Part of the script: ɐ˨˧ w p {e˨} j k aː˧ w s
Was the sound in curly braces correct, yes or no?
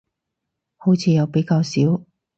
no